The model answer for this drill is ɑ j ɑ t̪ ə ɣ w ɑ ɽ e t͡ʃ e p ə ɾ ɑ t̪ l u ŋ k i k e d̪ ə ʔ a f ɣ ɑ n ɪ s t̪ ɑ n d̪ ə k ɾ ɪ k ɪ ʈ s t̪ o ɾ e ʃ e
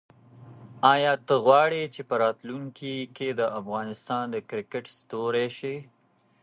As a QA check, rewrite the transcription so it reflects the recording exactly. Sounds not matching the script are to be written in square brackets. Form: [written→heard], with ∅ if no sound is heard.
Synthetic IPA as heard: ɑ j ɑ t̪ ə ɣ w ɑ ɽ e t͡ʃ e p ə ɾ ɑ t̪ l u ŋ k i k e d̪ ə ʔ a f ɣ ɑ n ɪ s t̪ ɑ n d̪ ə k ɾ ɪ k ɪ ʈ s t̪ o ɾ e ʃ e